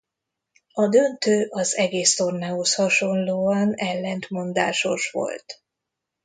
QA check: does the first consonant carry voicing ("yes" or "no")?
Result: yes